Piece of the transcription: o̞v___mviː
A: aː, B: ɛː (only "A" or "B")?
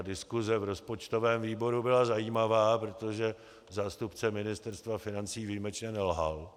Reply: B